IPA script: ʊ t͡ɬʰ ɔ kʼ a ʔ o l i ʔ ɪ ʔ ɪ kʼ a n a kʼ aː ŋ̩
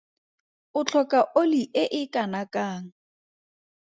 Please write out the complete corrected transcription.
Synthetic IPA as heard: ʊ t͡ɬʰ ɔ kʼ a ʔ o l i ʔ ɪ ʔ ɪ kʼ a n a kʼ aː ŋ̩